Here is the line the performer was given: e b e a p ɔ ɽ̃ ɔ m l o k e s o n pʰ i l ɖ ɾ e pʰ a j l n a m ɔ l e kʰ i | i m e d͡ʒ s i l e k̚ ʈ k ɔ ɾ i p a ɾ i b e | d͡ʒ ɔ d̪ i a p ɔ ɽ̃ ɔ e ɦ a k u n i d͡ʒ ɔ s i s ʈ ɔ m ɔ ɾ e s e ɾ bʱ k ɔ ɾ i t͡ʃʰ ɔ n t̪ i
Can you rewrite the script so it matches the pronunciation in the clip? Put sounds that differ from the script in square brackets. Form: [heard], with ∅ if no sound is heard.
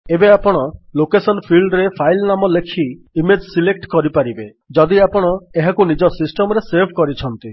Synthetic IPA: e b e a p ɔ ɽ̃ ɔ [∅] l o k e s [ɔ] n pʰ i l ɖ ɾ e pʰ a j l n a m ɔ l e kʰ i | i m e d͡ʒ s i l e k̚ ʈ k ɔ ɾ i p a ɾ i b e | d͡ʒ ɔ d̪ i a p ɔ ɽ̃ ɔ e ɦ a k u n i d͡ʒ ɔ s i s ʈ ɔ m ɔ ɾ e s e ɾ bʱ k ɔ ɾ i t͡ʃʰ ɔ n t̪ i